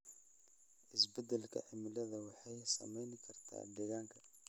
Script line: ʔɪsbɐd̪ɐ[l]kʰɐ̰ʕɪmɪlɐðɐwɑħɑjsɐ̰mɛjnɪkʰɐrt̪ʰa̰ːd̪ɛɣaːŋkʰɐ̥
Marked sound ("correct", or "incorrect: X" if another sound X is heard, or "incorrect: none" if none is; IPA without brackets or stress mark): correct